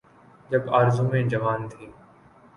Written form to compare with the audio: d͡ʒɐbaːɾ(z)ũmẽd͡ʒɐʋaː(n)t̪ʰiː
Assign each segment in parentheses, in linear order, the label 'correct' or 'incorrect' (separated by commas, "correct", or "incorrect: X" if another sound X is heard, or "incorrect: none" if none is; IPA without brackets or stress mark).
correct, correct